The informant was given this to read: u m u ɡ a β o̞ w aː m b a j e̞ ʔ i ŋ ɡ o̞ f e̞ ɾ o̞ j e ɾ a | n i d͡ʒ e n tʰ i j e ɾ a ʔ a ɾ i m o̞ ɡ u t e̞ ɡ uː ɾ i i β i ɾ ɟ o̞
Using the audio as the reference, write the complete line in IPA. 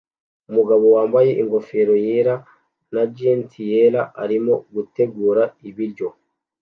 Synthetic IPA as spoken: u m u ɡ a β o̞ w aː m b a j e̞ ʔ i ŋ ɡ o̞ f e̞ ɾ o̞ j e ɾ a | n a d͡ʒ e n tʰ i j e ɾ a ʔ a ɾ i m o̞ ɡ u t e̞ ɡ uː ɾ a i β i ɾ ɟ o̞